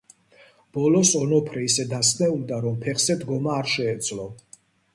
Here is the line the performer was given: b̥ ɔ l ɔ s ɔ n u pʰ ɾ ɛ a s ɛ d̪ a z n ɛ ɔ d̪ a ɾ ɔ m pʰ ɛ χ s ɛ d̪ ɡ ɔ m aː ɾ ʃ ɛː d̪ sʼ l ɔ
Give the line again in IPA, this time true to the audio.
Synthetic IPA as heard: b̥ ɔ l ɔ s ɔ n ɔ pʰ ɾ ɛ i s ɛ d̪ a s n ɛ u d̪ a ɾ ɔ m pʰ ɛ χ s ɛ d̪ ɡ ɔ m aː ɾ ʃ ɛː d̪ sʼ l ɔ